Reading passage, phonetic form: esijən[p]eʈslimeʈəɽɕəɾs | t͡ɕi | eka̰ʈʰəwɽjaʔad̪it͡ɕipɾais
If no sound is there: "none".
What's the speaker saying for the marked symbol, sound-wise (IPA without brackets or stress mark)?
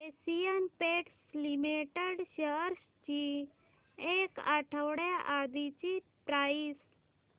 p